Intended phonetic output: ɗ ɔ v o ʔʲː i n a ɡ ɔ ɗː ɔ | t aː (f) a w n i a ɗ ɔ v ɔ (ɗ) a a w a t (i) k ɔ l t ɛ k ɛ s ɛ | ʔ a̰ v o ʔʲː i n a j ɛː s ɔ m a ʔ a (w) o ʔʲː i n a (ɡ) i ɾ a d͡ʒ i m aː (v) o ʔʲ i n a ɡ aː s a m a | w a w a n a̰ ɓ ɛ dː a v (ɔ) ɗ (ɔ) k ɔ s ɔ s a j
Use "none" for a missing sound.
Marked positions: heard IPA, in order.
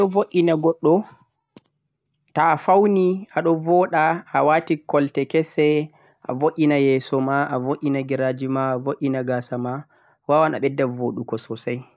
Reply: f, ɗ, i, v, ɡ, v, o, u

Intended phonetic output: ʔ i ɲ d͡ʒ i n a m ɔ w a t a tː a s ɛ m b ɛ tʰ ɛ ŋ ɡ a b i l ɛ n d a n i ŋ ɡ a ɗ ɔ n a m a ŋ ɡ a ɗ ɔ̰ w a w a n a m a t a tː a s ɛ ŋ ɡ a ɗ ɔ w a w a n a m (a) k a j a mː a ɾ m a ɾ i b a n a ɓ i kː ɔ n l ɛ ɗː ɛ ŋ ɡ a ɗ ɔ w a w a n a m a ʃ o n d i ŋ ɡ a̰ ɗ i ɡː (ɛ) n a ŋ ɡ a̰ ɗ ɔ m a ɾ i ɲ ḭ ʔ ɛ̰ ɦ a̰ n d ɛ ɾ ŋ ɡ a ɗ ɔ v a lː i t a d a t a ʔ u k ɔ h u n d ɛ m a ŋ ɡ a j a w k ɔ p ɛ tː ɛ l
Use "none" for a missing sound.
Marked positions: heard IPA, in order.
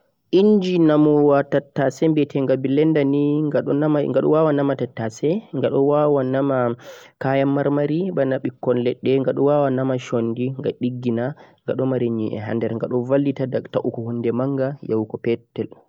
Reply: a, i

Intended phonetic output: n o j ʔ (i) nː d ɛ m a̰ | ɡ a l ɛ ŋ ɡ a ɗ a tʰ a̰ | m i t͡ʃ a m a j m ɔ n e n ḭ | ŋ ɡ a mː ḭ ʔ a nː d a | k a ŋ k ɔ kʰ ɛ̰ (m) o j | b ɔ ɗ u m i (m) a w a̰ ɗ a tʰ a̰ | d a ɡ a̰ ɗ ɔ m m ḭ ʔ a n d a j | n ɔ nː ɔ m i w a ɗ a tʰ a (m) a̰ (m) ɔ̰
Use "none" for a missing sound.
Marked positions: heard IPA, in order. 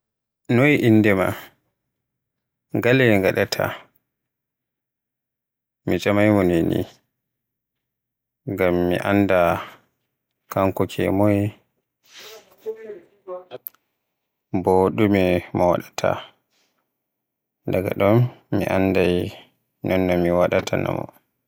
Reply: i, m, m, n, m

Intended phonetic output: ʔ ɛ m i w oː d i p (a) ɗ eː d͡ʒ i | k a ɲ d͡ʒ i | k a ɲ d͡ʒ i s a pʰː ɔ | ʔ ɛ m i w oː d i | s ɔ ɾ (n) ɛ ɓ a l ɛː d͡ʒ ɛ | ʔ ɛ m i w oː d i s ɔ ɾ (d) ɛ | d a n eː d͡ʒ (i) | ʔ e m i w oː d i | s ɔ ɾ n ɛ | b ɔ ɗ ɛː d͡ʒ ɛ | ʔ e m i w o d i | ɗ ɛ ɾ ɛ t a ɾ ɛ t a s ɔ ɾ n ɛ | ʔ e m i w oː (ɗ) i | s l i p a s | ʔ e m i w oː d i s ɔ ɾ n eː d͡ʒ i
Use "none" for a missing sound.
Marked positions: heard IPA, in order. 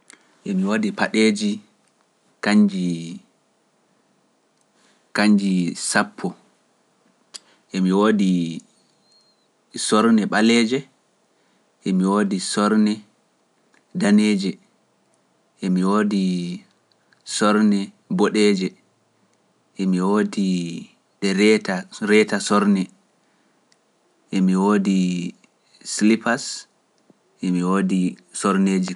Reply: a, n, n, ɛ, d

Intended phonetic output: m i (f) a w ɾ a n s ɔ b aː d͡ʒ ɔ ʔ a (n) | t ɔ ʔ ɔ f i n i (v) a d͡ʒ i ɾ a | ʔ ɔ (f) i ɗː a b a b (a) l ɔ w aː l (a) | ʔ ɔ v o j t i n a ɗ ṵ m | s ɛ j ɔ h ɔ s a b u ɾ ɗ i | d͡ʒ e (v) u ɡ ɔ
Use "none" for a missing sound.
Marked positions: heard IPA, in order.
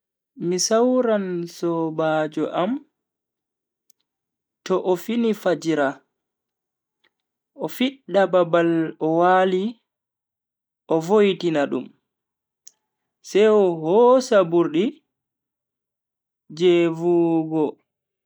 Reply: s, m, f, f, a, i, v

